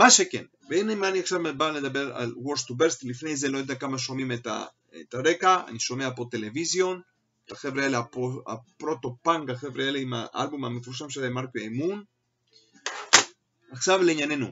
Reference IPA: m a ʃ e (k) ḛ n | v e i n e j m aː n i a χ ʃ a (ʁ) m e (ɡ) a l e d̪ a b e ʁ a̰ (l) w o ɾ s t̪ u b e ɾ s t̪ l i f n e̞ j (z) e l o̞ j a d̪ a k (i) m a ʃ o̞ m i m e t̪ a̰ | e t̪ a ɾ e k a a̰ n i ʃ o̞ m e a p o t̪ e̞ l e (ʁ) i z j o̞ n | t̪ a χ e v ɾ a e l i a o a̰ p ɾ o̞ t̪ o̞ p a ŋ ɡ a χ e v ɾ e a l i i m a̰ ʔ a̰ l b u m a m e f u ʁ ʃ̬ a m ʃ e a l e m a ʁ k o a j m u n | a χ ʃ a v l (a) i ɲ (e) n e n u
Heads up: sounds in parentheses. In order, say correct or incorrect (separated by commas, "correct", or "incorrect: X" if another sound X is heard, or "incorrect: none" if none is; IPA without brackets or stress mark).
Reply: correct, incorrect: v, incorrect: b, correct, correct, incorrect: a, incorrect: v, incorrect: e, incorrect: a